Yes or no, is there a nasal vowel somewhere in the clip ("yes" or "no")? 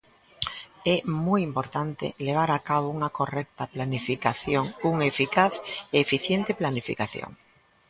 no